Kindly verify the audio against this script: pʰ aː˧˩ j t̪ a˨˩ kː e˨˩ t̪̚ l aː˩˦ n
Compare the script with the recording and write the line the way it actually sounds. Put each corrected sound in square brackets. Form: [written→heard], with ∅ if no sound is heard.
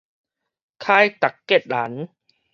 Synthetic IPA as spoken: [pʰ→kʰ] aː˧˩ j t̪ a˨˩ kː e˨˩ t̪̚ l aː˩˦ n